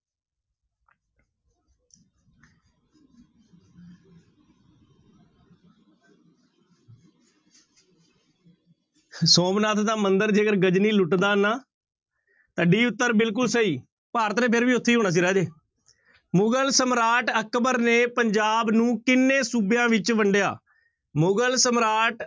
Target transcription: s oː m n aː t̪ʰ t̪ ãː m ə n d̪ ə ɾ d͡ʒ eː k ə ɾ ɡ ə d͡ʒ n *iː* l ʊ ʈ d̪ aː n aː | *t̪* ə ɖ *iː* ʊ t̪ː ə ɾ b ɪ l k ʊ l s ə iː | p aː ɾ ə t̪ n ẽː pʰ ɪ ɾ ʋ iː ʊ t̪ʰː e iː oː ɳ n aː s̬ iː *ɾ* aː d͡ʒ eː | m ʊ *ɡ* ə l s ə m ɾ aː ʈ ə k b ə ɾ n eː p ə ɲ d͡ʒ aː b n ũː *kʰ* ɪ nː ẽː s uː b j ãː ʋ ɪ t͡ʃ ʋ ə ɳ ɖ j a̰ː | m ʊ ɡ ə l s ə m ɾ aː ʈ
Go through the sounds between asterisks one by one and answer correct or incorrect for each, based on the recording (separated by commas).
correct, correct, correct, correct, correct, incorrect